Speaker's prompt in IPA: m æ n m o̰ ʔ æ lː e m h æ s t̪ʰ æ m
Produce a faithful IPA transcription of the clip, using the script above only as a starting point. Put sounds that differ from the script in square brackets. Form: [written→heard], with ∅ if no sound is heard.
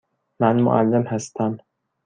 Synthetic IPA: m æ n m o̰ ʔ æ lː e m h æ s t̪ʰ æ m